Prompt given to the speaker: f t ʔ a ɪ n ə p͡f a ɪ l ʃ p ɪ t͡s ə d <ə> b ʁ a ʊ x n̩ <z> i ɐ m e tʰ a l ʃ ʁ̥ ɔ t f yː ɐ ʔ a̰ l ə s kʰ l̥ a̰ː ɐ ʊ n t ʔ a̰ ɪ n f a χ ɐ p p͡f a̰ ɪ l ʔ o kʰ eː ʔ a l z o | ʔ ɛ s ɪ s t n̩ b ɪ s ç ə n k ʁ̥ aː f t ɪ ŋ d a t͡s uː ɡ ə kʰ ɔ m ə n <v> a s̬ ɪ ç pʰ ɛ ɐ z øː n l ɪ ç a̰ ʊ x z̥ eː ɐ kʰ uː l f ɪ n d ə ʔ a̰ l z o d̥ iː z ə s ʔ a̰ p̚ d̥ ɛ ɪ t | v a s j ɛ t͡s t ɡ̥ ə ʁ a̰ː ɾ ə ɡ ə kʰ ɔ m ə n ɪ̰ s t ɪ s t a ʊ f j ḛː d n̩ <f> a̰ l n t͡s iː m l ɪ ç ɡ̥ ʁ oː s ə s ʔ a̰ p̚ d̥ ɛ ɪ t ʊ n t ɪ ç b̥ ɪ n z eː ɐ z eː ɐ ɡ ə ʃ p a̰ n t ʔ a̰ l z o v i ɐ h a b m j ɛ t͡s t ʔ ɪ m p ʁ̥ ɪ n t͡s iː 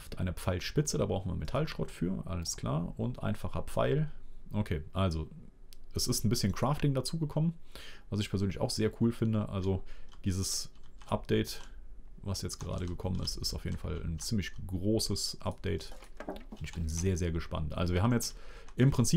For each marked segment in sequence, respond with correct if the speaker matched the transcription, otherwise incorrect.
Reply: incorrect: a, incorrect: v, correct, correct

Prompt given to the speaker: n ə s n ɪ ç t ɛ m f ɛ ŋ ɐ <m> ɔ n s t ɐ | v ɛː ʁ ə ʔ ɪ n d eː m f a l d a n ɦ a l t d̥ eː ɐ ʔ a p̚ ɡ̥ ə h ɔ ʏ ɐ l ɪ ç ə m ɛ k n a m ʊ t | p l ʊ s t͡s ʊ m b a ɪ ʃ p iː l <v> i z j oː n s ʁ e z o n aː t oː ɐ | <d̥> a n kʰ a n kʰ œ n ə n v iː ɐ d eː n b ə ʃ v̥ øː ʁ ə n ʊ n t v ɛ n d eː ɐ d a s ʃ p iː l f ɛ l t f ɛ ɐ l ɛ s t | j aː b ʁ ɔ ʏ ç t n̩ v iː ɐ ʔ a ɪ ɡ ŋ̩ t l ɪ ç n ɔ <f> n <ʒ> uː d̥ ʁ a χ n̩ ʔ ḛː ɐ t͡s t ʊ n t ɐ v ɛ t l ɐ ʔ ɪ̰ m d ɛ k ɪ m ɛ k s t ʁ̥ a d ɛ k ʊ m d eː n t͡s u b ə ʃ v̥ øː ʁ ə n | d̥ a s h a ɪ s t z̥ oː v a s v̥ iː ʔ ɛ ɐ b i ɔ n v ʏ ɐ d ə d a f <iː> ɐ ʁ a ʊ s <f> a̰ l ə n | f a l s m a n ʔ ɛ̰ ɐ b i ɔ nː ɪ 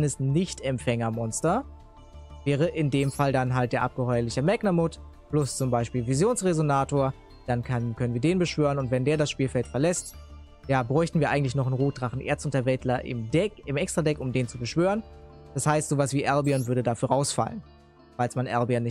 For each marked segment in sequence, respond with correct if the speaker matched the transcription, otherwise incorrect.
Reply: correct, correct, correct, incorrect: χ, incorrect: ʁ, incorrect: yː, correct

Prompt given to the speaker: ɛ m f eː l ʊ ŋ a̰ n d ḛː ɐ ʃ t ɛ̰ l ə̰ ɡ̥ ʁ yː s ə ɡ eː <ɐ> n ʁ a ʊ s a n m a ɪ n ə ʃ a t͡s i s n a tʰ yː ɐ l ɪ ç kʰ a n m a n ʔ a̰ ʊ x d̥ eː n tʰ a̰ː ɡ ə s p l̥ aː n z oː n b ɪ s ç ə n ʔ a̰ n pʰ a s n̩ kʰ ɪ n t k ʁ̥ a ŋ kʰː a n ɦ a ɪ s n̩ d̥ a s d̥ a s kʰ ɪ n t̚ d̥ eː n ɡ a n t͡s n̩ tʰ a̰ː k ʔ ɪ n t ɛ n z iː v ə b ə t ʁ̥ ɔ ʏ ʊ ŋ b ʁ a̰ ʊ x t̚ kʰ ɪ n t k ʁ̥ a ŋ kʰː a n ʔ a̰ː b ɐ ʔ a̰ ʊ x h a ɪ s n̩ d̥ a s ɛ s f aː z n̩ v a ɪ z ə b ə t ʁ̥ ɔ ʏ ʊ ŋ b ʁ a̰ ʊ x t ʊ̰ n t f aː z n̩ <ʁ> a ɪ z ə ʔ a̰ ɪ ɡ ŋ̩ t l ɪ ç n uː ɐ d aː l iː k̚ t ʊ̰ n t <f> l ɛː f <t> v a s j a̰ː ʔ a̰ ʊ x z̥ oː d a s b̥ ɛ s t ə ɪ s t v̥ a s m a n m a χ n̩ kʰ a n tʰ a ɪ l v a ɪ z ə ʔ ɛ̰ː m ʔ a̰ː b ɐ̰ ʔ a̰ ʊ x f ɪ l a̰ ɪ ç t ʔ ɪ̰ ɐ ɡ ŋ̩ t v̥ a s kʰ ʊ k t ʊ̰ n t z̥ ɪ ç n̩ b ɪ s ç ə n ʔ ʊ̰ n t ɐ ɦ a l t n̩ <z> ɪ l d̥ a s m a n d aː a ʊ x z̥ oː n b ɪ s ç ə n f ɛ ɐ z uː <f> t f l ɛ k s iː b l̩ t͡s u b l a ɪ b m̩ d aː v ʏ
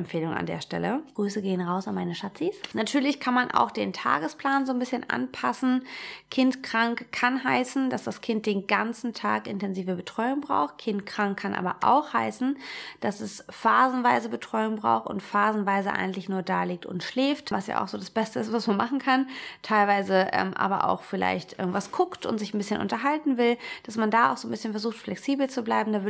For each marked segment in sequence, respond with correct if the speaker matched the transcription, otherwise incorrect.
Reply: incorrect: ə, incorrect: v, incorrect: ʃ, correct, incorrect: v, incorrect: x

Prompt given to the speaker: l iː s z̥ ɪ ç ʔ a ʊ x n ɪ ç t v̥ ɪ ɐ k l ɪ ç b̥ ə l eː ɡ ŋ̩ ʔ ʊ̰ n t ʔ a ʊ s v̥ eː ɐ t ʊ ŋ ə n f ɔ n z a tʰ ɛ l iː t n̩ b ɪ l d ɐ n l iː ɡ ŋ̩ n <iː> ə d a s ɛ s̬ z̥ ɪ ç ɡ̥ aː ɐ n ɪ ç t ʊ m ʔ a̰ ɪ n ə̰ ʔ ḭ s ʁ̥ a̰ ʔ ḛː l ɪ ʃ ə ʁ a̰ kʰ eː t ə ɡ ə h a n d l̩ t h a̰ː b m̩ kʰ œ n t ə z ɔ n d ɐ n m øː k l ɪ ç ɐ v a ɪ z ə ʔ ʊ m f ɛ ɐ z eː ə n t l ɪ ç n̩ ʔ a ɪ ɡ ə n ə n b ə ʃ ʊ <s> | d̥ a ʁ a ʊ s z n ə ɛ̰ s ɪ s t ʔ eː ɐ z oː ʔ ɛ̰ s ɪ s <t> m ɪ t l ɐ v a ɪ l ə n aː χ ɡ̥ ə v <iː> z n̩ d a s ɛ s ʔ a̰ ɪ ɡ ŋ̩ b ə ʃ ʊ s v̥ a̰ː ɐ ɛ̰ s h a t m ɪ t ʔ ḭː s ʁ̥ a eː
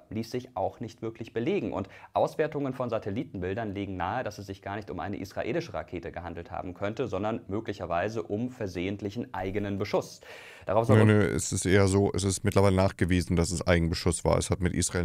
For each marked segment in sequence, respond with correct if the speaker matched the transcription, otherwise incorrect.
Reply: incorrect: aː, correct, correct, correct

